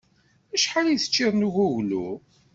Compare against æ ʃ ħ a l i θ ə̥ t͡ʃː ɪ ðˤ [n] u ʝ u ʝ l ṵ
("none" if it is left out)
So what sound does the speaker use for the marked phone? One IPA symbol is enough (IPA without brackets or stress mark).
n